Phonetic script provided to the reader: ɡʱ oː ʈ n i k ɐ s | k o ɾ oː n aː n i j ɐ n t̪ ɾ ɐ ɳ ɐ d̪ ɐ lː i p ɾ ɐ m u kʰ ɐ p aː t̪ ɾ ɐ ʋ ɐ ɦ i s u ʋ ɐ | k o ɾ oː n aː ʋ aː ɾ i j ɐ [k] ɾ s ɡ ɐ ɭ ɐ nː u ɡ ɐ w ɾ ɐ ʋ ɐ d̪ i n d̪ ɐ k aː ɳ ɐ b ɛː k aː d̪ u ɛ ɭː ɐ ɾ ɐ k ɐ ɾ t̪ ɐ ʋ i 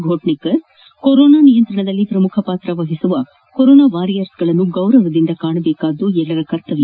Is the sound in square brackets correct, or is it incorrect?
incorrect: none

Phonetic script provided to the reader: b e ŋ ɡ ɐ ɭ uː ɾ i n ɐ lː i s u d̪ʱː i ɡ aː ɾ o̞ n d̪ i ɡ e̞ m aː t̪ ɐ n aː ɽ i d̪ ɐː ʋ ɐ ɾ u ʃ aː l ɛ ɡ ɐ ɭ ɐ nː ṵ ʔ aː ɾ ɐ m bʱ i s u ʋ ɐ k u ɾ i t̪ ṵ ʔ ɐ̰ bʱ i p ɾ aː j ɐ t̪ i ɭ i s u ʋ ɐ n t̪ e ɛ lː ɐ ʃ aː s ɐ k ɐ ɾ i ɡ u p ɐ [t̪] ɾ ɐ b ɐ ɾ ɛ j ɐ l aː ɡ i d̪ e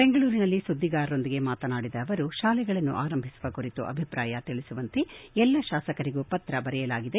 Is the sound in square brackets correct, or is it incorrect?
correct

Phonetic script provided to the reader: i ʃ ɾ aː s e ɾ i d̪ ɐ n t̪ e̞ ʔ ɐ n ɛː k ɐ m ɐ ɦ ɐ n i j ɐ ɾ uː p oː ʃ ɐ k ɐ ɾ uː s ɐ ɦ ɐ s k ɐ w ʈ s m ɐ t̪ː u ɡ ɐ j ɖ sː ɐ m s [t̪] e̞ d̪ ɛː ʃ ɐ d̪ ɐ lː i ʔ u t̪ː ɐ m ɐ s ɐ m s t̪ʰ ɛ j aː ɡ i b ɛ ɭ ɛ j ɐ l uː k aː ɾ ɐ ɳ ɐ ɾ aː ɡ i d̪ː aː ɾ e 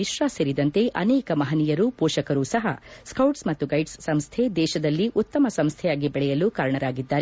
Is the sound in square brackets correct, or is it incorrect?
incorrect: t̪ʰ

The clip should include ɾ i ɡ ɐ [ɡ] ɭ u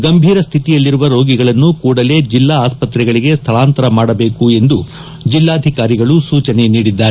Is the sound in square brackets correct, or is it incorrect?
incorrect: none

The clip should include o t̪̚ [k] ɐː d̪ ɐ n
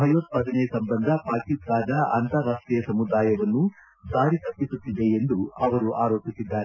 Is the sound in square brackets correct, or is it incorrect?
incorrect: p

